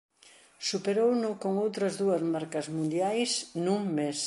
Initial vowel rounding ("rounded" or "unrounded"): rounded